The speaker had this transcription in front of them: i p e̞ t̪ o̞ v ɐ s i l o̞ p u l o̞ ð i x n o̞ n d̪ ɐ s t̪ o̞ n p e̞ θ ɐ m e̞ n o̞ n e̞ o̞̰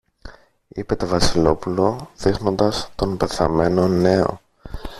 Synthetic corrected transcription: i p e̞ t̪ o̞ v ɐ s i l o̞ p u l o̞ ð i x n o̞ n d̪ ɐ s t̪ o̞ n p e̞ θ ɐ m e̞ n o̞ n e̞ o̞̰